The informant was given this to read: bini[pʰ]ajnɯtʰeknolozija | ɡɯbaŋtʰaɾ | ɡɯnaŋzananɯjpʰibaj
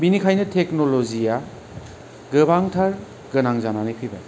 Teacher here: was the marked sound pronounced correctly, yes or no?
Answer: no